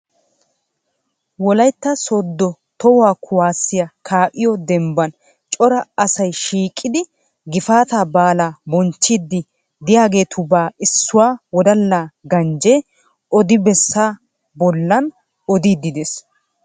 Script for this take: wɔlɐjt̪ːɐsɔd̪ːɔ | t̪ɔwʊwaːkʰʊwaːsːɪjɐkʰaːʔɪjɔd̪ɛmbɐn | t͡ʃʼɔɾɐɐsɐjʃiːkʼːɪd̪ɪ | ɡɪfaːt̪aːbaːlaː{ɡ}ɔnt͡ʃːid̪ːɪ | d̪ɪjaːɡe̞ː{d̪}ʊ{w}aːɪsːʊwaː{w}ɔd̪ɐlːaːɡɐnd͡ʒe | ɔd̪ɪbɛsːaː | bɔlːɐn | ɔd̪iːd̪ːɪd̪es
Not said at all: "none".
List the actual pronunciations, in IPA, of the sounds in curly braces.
b, t̪, b, w

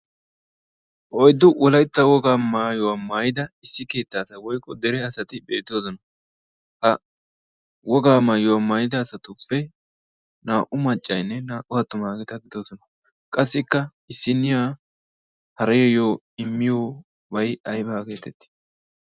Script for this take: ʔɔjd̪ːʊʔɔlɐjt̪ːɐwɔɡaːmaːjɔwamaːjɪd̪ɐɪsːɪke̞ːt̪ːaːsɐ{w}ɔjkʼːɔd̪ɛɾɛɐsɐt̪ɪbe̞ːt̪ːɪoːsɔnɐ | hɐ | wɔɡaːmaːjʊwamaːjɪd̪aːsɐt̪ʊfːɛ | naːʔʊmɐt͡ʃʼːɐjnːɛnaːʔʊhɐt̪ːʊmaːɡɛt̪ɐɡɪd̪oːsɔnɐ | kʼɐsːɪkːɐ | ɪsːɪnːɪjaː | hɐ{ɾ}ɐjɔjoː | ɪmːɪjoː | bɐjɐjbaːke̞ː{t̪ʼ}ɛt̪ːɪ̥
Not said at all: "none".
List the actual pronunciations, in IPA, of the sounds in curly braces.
w, ɾ, t̪

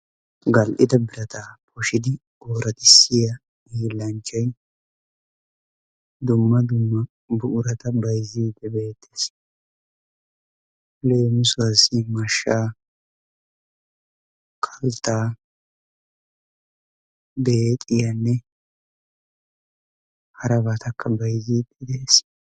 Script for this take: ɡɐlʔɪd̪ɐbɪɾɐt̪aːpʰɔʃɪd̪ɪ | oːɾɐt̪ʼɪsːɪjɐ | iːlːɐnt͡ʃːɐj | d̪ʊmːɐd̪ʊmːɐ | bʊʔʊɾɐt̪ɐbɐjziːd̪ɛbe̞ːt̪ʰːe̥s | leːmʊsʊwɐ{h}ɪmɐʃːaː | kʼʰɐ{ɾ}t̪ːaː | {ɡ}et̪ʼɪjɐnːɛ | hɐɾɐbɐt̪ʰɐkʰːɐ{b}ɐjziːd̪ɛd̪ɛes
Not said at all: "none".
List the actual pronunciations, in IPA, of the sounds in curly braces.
s, l, b, b

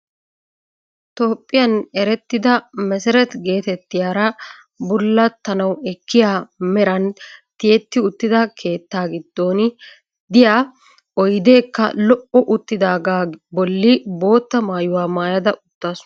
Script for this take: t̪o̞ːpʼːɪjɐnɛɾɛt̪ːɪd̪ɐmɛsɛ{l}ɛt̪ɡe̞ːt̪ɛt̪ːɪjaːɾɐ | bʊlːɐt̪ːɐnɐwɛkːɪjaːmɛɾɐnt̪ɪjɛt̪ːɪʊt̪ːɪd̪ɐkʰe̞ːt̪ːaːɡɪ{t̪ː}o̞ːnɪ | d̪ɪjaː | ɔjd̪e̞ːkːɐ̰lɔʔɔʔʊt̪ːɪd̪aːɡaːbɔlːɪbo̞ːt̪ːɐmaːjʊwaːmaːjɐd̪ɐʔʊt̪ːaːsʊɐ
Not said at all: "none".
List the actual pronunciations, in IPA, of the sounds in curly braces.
ɾ, d̪ː

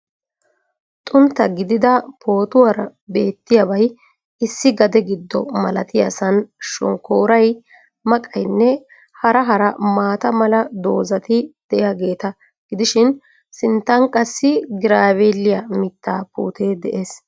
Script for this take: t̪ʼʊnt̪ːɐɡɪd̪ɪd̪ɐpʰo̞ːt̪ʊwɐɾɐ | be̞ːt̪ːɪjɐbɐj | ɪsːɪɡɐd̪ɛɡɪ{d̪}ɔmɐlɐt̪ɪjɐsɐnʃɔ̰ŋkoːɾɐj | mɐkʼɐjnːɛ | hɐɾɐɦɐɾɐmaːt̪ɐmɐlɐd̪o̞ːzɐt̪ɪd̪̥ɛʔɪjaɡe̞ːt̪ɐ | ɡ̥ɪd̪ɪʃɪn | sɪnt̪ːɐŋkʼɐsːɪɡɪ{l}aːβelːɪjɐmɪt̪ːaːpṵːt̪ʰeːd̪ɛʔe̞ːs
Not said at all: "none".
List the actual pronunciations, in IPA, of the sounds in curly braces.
d̪ː, ɾ

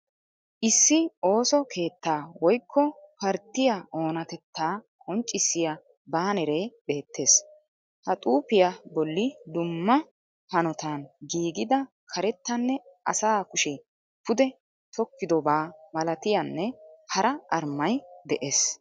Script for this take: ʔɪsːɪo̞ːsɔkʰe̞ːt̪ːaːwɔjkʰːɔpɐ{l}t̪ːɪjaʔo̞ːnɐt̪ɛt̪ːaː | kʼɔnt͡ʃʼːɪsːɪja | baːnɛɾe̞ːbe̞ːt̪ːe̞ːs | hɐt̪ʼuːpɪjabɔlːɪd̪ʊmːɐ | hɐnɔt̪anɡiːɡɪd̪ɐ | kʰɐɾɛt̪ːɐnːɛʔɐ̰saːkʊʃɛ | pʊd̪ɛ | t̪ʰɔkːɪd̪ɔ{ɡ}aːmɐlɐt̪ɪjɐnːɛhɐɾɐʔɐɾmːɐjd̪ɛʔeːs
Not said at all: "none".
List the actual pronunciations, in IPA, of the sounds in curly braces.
ɾ, b

